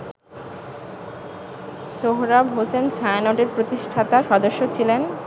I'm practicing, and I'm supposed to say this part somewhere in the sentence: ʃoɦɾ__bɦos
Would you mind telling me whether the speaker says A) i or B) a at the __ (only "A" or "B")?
B